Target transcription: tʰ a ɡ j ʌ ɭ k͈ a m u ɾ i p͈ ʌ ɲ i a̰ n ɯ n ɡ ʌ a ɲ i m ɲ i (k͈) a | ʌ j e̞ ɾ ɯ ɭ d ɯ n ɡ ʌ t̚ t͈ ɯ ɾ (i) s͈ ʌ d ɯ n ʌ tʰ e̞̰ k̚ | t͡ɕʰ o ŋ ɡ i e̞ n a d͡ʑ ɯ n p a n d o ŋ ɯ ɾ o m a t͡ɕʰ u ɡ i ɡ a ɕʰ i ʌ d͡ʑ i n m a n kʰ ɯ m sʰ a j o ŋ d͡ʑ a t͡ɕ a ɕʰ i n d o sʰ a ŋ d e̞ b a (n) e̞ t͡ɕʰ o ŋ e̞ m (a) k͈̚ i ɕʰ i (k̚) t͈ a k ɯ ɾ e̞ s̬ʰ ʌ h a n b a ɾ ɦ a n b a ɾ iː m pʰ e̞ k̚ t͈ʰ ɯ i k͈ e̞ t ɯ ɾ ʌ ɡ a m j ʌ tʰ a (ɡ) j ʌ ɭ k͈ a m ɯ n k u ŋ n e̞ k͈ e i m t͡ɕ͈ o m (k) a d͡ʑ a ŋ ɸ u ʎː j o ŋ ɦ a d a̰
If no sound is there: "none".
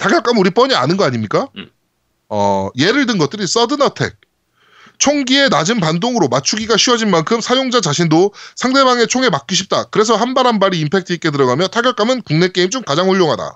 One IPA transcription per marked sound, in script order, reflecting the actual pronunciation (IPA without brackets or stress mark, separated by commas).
k͈, i, ŋ, a, p̚, ɡ, k